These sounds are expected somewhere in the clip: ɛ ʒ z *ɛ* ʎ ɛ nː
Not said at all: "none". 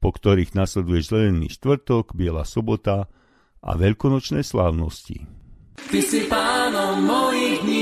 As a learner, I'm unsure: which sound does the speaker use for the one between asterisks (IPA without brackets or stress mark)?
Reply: ɛ